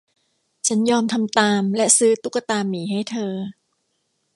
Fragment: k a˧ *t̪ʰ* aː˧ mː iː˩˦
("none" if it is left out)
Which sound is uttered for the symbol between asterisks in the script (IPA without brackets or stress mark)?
t̪